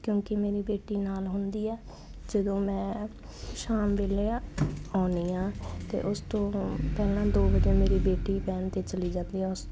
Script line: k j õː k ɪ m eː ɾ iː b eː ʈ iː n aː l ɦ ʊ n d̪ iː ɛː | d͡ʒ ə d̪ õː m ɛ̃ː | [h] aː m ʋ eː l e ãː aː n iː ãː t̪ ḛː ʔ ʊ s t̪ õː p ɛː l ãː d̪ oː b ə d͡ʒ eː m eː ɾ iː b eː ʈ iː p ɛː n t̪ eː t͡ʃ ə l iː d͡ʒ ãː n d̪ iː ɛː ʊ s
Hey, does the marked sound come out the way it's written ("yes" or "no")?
no